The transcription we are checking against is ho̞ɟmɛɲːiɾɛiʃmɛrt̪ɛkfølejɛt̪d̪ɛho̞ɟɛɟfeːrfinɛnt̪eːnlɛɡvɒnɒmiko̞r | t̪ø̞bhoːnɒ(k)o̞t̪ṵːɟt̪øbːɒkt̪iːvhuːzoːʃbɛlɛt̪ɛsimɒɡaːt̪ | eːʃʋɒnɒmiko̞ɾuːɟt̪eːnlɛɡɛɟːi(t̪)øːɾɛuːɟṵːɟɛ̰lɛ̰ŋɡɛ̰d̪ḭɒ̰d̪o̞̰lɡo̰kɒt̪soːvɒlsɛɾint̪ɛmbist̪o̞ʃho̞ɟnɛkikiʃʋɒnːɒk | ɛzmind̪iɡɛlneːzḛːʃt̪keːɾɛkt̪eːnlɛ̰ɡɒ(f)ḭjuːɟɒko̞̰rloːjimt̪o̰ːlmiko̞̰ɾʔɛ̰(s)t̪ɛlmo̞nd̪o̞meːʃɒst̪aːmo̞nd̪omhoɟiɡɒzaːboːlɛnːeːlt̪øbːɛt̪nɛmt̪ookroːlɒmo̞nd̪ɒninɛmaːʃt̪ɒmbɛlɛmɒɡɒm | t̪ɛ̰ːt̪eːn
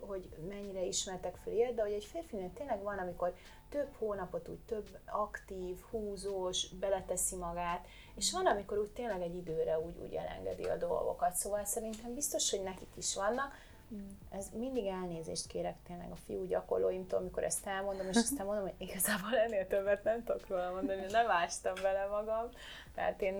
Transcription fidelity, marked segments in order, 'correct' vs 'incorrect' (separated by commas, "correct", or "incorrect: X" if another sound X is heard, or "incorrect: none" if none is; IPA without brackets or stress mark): incorrect: p, incorrect: d̪, correct, correct